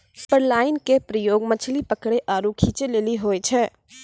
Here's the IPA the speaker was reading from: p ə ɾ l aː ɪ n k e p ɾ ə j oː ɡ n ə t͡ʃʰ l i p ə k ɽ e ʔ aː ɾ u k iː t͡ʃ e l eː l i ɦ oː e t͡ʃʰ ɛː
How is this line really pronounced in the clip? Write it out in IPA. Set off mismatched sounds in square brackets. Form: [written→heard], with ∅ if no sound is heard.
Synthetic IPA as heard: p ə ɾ l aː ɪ n k e p ɾ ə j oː ɡ [n→m] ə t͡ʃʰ l i p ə k ɽ e ʔ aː ɾ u [k→kʰ] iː t͡ʃ e l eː l i ɦ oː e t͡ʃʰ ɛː